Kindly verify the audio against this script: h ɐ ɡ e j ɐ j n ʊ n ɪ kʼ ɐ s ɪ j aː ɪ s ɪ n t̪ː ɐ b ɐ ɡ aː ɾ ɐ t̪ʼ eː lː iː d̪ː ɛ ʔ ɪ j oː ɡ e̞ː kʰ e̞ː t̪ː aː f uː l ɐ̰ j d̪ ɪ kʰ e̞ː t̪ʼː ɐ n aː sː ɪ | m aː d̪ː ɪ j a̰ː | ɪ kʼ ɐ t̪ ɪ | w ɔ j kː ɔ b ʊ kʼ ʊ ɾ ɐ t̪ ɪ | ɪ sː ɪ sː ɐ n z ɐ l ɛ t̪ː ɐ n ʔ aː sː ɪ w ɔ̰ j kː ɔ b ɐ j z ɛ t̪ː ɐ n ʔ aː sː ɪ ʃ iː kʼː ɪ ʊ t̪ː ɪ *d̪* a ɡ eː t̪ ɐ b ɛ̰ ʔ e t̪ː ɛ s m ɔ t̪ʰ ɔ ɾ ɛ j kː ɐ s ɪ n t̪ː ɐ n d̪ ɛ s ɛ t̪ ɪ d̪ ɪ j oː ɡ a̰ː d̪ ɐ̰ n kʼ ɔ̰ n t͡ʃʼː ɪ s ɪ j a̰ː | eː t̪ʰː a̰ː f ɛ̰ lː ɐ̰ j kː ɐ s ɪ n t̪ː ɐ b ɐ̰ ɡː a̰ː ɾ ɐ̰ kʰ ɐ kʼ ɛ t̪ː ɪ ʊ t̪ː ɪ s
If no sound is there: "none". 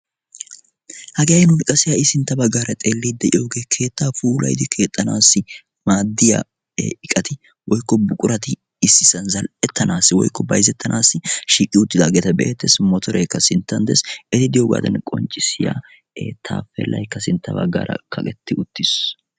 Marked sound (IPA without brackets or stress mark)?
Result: d̪